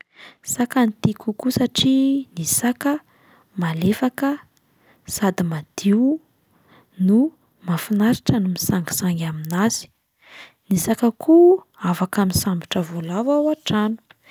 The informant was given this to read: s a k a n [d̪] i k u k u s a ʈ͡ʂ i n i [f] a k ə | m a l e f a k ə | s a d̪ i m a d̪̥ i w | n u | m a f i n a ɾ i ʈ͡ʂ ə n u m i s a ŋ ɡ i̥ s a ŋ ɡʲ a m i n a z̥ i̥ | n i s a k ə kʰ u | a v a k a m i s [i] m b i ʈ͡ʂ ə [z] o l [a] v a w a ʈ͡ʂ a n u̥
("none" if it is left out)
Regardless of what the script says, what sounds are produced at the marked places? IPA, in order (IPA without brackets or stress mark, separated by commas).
t̪, s, a, v, a